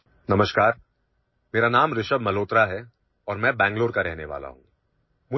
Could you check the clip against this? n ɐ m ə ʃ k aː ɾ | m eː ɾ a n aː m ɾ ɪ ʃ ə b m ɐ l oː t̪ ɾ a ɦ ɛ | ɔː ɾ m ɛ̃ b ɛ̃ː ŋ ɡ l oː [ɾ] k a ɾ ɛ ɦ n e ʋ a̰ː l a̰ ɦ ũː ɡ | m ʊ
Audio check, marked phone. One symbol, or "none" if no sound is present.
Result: ɾ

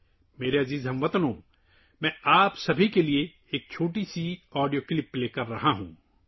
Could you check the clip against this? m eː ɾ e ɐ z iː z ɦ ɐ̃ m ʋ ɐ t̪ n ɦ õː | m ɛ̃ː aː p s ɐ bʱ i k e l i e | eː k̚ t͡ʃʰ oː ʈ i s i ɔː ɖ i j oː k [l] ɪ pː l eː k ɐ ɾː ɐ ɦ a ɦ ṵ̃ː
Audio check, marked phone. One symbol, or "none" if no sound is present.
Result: l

